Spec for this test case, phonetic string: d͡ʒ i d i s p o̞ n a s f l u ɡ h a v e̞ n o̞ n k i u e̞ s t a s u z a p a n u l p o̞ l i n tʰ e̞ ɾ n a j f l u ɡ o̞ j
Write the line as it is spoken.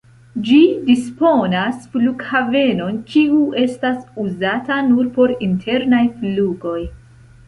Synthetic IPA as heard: d͡ʒ i d i s p o̞ n a s f l u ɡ h a v e̞ n o̞ n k i u e̞ s t a s u z a t a n u ɾ p o̞ ɾ i n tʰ e̞ ɾ n a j f l u ɡ o̞ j